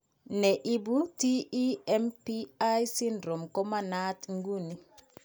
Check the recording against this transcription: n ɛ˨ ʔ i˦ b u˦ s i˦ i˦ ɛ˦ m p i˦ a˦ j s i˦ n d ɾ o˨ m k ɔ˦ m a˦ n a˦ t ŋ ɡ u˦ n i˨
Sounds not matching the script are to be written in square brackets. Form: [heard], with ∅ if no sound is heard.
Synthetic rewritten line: n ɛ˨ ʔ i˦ b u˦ [t] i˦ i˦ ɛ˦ m p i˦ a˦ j s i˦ n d ɾ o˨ m k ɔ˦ m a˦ n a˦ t ŋ ɡ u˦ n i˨